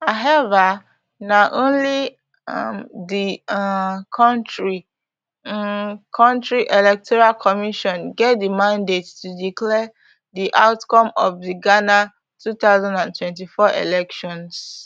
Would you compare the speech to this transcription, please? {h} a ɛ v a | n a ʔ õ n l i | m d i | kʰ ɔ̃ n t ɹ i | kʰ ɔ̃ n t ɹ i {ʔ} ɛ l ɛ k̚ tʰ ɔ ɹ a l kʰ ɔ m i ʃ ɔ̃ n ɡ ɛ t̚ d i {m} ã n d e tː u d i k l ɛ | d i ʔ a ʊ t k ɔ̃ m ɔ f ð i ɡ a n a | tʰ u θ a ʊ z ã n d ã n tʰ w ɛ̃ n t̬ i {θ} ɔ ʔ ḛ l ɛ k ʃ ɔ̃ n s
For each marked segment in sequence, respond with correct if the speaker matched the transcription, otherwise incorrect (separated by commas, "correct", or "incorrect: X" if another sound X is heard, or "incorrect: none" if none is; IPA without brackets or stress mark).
correct, correct, correct, incorrect: f